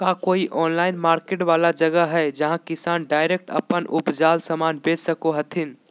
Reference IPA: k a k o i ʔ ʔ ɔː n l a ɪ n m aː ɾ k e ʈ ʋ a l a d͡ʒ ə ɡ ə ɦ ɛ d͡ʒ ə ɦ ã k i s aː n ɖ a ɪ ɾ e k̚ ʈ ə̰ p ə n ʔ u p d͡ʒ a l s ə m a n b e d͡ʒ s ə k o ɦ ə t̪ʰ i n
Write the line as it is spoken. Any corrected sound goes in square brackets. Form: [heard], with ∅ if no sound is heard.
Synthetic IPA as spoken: k a k o i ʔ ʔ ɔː n l a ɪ n m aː ɾ k e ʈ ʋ a l a d͡ʒ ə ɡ ə ɦ ɛ d͡ʒ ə ɦ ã k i s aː n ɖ a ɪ ɾ e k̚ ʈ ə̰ p ə n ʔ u p d͡ʒ a l s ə m a n b e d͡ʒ s ə k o ɦ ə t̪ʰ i n